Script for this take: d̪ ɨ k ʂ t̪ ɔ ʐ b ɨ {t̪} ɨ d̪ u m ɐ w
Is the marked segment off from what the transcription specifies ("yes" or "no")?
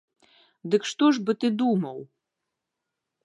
no